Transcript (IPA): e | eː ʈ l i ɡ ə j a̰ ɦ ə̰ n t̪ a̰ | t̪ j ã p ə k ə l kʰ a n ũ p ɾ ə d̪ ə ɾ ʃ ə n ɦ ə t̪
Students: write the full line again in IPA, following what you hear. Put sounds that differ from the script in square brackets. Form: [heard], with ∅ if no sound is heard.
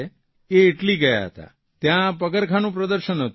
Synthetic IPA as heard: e | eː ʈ l i ɡ ə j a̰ ɦ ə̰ [∅] t̪ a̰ | t̪ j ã p ə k ə [ɾ] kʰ a n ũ p ɾ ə d̪ ə ɾ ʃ ə n ɦ ə t̪